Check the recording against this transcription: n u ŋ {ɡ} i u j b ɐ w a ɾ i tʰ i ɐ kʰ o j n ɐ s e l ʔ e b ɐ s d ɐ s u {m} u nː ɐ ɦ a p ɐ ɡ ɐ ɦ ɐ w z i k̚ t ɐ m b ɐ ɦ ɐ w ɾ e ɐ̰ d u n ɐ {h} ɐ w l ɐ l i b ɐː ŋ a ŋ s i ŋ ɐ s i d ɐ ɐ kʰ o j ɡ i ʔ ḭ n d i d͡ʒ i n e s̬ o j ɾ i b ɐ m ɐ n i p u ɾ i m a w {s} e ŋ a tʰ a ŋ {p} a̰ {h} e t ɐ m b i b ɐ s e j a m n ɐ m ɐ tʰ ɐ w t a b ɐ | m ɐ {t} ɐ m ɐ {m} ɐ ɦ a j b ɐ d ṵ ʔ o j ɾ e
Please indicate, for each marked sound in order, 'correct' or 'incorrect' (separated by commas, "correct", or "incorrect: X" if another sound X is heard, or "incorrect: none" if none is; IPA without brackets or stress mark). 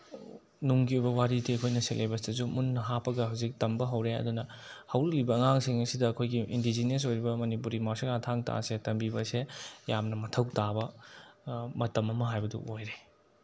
correct, correct, correct, correct, incorrect: t, incorrect: s, correct, correct